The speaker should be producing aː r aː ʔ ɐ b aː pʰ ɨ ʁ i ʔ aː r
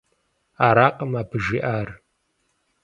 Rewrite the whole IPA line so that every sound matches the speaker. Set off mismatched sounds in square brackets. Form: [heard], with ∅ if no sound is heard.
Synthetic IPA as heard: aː [ɾ] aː [q] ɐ [m] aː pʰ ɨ [ʒ] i ʔ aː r